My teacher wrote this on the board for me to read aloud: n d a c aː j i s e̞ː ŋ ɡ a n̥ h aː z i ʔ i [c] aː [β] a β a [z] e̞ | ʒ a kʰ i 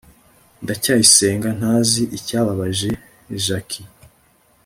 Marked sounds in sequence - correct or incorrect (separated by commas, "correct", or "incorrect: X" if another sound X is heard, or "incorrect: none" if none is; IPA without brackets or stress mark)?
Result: correct, correct, incorrect: ʒ